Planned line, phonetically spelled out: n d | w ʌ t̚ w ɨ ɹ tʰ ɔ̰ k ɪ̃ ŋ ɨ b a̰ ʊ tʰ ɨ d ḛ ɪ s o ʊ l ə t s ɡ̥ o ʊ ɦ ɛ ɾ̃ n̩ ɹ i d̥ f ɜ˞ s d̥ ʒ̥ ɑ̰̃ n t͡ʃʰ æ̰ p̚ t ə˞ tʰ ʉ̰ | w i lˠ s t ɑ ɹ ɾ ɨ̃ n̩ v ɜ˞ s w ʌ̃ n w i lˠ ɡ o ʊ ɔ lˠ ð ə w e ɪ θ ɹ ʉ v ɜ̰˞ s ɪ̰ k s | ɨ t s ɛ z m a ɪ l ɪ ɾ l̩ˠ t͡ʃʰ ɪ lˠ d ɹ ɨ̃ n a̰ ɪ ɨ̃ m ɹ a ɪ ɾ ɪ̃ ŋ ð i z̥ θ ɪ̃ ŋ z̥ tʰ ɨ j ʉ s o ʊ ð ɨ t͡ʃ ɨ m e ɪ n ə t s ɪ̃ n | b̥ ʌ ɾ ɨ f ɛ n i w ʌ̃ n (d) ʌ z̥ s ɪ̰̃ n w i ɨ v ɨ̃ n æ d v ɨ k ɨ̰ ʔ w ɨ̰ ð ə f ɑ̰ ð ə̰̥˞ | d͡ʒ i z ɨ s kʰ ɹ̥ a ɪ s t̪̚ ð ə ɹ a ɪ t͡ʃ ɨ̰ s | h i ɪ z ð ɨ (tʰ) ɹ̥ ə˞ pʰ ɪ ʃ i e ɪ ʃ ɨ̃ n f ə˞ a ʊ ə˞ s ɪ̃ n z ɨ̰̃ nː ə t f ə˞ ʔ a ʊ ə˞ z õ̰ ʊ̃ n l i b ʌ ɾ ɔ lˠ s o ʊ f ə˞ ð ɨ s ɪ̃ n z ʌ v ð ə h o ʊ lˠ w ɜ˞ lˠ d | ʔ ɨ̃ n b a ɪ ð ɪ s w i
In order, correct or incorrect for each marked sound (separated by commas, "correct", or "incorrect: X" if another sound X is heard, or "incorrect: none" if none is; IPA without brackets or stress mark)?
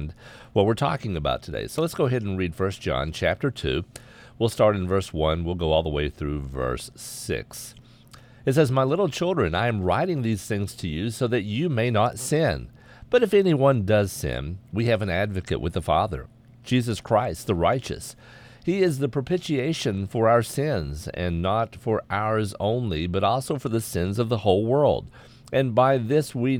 correct, incorrect: pʰ